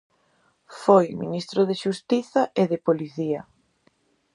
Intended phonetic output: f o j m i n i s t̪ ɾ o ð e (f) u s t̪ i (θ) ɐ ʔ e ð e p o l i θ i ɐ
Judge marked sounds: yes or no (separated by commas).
no, yes